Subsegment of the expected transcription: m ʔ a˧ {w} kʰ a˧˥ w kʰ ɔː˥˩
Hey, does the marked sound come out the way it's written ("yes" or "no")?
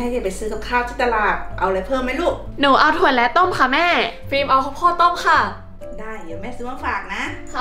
yes